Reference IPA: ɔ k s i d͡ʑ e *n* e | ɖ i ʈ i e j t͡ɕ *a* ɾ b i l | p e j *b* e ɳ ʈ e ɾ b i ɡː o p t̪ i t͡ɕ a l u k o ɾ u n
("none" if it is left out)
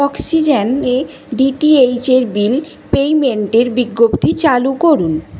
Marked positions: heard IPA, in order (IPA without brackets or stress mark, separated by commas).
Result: n, e, m